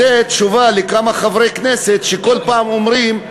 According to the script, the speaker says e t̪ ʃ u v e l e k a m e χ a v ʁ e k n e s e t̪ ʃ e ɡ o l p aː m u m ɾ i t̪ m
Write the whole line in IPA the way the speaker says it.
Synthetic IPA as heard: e t̪ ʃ u v a l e k a m a χ a v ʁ e k n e s e t̪ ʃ e k o l p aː m o m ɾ i m